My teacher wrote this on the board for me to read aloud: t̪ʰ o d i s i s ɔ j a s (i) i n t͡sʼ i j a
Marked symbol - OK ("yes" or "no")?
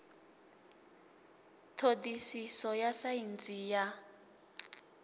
no